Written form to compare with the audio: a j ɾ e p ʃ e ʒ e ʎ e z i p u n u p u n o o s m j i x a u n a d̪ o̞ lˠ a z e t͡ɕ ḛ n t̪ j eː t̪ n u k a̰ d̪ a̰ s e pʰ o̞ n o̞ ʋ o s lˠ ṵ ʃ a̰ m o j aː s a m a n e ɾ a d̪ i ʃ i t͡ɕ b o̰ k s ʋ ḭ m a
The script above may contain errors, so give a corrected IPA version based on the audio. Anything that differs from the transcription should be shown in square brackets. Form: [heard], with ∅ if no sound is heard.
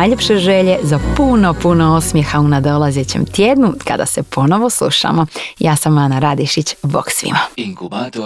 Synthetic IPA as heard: a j [ʎ] e p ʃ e ʒ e ʎ e z [a] p u n [o] p u n o o s m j [e] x a u n a d̪ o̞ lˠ a z e t͡ɕ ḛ [m] t̪ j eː [d̪] n u k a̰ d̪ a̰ s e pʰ o̞ n o̞ ʋ o s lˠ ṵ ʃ a̰ m o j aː s a m a n [a] ɾ a d̪ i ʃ i t͡ɕ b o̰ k s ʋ ḭ m a